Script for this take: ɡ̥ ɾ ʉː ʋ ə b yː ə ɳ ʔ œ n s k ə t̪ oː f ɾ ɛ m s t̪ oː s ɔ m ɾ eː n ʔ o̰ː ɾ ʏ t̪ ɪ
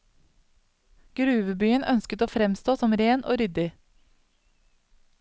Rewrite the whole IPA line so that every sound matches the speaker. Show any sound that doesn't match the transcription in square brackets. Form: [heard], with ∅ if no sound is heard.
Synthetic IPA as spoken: ɡ̥ ɾ ʉː ʋ ə b yː ə [n] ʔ œ n s k ə t̪ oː f ɾ ɛ m s t̪ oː s ɔ m ɾ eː n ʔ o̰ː ɾ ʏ [d̪] ɪ